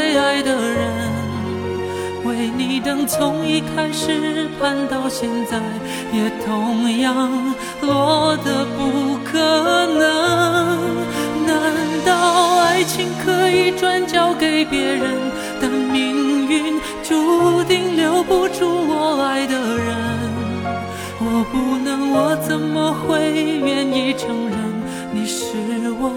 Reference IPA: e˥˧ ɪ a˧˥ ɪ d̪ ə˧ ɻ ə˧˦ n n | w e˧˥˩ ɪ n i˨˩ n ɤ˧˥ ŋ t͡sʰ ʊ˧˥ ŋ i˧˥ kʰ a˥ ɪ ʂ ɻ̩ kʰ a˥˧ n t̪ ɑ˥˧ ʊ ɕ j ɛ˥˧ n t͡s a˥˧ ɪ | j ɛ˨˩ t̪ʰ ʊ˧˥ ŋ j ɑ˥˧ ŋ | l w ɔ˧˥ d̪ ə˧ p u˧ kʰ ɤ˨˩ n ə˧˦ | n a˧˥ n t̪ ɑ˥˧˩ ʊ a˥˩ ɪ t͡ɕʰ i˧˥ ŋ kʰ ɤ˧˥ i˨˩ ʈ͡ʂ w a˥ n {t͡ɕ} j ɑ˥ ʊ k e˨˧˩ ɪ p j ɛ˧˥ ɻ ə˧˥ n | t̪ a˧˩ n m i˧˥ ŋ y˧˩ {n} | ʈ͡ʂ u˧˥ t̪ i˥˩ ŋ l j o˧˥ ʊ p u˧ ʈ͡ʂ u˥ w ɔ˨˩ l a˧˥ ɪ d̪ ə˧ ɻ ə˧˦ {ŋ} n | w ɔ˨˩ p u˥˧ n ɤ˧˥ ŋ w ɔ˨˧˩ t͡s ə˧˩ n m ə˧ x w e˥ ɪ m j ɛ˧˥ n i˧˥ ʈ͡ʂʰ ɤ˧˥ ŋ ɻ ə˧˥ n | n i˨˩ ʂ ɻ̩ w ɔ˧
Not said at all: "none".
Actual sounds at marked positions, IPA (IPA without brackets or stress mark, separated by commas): t͡ɕ, n, n